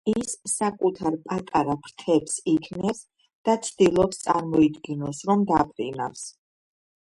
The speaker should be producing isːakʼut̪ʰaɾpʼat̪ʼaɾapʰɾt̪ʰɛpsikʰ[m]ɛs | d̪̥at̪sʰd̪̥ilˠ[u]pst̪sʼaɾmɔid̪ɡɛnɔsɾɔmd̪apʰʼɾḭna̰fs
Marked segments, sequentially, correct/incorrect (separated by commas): incorrect, incorrect